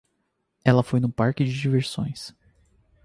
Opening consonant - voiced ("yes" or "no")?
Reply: yes